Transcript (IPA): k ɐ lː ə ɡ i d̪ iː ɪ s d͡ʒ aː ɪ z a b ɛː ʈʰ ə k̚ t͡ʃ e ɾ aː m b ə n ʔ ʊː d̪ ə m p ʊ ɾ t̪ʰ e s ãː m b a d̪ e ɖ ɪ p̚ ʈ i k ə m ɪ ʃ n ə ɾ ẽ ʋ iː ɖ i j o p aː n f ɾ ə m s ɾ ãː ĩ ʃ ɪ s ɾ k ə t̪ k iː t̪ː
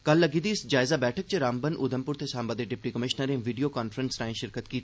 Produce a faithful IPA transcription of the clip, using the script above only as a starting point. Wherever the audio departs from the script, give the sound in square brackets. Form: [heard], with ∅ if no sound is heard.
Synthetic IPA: k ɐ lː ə ɡ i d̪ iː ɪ s d͡ʒ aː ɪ z a b ɛː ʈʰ ə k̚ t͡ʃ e ɾ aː m b ə n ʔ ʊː d̪ ə m p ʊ ɾ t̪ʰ e s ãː m b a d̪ e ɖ ɪ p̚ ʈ i k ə m ɪ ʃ n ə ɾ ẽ ʋ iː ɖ i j o [k] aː n f ɾ ə [n] s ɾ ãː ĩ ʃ ɪ [∅] ɾ k ə t̪ k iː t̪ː